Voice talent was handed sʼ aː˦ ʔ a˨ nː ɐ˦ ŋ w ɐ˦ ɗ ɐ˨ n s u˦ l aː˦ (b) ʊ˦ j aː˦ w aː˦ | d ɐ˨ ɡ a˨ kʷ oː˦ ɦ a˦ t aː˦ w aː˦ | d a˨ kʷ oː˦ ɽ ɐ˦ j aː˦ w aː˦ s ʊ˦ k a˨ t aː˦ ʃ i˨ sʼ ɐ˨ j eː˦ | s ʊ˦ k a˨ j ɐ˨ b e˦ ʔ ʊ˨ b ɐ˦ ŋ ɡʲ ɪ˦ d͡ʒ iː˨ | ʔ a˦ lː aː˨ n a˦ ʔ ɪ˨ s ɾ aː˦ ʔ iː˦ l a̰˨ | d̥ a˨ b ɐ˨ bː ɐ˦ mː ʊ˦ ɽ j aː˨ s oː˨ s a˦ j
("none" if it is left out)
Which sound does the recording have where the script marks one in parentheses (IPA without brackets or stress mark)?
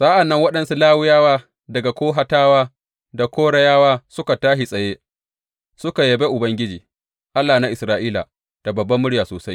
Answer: w